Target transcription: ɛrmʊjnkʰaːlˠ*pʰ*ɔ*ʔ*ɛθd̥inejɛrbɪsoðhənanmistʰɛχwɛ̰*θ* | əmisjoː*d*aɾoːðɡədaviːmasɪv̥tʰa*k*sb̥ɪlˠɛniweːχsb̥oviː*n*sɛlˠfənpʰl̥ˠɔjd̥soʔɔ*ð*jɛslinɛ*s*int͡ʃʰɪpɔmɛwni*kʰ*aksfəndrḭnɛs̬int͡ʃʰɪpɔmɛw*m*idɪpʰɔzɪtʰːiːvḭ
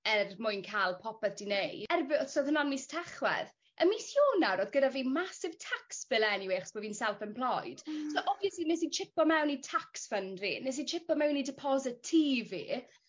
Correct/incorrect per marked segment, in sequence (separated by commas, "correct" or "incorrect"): correct, incorrect, incorrect, incorrect, correct, correct, incorrect, correct, incorrect, incorrect